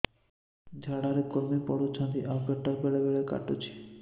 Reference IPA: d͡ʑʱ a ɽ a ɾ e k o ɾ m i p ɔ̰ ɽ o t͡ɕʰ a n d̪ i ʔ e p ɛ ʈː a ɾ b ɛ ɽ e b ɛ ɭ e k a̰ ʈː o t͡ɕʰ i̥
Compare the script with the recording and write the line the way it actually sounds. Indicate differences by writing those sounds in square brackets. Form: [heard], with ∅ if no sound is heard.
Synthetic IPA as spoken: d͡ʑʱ a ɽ a ɾ e k o ɾ m i p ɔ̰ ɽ o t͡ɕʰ a n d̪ i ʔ [a] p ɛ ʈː a ɾ b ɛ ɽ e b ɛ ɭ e k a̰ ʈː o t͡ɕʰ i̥